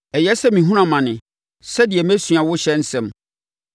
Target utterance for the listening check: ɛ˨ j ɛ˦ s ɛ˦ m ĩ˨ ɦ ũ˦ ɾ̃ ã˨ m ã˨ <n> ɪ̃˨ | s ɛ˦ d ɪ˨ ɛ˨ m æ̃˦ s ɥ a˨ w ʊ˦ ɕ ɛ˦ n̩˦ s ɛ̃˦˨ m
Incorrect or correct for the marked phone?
correct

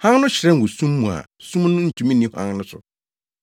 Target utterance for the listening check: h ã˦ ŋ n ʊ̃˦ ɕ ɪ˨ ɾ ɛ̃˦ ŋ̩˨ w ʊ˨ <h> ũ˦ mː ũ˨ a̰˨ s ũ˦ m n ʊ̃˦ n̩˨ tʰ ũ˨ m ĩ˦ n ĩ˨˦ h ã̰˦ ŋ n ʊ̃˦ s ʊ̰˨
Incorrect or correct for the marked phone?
incorrect: s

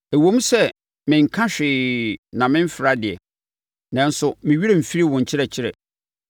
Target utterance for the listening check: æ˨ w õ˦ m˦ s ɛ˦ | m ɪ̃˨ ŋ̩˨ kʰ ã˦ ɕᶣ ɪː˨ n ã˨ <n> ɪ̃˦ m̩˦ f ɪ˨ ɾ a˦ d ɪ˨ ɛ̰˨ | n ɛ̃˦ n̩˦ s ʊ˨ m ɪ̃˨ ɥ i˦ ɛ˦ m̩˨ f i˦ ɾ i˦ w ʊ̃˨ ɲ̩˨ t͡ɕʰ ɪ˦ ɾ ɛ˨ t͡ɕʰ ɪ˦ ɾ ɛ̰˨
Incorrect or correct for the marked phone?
incorrect: m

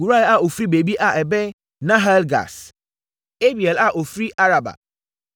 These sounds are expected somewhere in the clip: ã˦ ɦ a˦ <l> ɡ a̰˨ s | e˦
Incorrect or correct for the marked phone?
correct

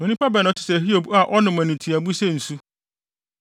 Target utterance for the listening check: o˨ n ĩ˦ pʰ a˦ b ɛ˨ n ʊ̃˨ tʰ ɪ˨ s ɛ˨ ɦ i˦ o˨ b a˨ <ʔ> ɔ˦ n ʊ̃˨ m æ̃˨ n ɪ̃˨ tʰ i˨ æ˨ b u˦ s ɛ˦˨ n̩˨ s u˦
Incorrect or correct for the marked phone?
correct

